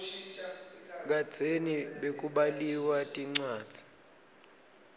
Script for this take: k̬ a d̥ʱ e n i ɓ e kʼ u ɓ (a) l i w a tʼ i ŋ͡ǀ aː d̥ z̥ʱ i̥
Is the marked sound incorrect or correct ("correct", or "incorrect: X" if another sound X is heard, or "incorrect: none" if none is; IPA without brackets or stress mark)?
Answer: correct